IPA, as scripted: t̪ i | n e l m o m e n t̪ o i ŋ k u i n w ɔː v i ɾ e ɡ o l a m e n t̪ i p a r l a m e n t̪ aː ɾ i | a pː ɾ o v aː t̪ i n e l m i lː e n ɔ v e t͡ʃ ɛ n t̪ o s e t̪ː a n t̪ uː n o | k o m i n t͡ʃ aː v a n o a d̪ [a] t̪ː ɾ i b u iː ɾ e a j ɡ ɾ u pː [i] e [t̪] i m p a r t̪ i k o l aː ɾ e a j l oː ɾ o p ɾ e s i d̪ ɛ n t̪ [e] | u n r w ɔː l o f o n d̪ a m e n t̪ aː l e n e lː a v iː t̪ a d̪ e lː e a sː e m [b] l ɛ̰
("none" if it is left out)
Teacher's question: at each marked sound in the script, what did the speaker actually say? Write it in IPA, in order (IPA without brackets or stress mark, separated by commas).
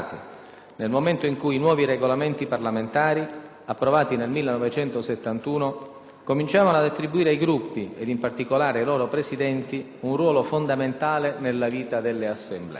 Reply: a, i, d̪, i, b